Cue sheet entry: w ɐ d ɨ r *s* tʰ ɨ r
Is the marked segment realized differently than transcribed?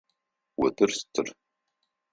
no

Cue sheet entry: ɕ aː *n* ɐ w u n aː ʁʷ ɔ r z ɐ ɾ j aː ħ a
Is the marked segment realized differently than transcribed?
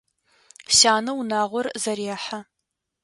no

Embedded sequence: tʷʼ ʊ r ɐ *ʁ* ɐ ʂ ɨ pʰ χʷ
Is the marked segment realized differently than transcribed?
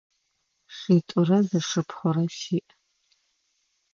yes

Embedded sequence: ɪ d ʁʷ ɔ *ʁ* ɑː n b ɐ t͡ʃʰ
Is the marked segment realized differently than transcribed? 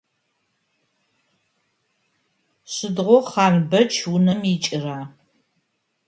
yes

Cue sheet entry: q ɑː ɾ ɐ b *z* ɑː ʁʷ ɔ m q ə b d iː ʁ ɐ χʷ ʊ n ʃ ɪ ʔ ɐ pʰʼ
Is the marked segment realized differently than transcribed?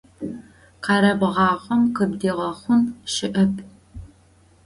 yes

